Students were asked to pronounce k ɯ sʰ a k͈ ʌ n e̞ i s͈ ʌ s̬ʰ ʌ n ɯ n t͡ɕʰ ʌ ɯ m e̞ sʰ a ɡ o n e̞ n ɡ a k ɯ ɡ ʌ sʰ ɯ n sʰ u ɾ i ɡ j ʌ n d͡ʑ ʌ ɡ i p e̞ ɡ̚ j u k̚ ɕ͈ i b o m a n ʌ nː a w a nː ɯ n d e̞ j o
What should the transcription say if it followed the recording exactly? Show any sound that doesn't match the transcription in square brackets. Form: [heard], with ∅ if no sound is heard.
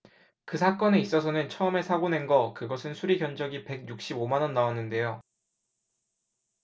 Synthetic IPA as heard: k ɯ sʰ a k͈ ʌ n e̞ i s͈ ʌ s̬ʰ ʌ n ɯ n t͡ɕʰ ʌ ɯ m e̞ sʰ a ɡ o n e̞ n ɡ [ʌ] k ɯ ɡ ʌ sʰ ɯ n sʰ u ɾ i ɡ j ʌ n d͡ʑ ʌ ɡ i p e̞ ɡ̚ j u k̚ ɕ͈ i b o m a n ʌ nː a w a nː ɯ n d e̞ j o